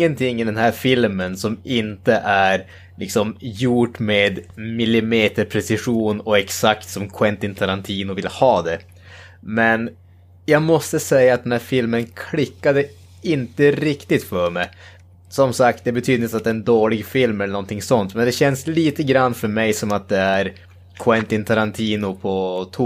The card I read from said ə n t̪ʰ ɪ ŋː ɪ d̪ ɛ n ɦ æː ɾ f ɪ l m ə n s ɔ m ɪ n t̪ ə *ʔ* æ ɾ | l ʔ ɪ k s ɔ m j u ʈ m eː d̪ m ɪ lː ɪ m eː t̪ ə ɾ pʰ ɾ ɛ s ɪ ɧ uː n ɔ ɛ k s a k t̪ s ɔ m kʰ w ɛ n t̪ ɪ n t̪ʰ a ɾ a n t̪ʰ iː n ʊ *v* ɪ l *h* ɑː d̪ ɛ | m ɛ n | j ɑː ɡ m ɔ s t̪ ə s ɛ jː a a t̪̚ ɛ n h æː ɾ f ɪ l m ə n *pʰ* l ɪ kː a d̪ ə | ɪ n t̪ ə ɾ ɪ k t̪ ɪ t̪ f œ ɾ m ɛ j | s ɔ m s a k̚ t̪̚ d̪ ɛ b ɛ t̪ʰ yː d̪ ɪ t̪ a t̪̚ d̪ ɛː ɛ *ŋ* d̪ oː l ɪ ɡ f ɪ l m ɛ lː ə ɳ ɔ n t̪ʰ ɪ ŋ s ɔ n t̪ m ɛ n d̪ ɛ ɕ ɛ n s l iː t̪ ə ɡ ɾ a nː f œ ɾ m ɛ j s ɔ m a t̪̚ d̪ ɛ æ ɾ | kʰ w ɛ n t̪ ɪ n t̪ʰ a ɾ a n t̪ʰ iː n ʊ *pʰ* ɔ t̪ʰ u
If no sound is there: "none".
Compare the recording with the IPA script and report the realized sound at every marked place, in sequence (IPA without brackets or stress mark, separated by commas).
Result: ʔ, v, h, kʰ, n, pʰ